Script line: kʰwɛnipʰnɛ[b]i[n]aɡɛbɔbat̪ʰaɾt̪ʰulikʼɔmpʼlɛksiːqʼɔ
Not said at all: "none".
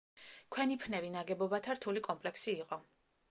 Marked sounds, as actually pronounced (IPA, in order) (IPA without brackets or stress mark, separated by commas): v, n